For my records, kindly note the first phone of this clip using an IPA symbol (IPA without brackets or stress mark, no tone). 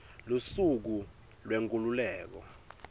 l